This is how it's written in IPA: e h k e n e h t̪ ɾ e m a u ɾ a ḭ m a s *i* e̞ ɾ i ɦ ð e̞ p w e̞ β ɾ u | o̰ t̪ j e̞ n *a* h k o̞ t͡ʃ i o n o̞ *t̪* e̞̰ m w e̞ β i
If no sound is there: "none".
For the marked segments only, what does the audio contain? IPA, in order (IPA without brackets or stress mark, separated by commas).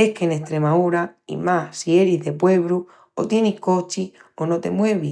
i, i, t̪